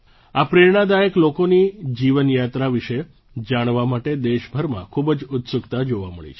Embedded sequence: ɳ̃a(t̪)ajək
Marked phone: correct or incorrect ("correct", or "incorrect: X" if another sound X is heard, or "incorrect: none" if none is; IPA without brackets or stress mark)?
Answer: incorrect: d̪